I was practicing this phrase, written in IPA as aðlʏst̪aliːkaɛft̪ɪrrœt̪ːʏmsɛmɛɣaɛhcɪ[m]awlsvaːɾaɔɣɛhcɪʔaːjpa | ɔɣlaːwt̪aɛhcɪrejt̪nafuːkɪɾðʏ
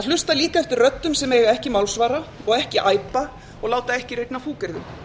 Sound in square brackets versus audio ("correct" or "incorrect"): correct